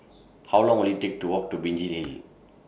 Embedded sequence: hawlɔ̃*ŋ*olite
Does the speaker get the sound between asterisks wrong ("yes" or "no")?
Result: no